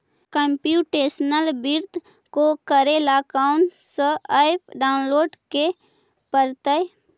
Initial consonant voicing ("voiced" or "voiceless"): voiceless